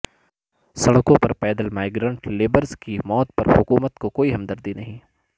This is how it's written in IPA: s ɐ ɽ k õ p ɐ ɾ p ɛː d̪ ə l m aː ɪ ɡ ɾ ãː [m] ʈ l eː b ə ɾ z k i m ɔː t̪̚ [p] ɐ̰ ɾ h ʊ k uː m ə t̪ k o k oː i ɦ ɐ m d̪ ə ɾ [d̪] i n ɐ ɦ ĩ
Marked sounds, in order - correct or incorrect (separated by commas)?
incorrect, correct, correct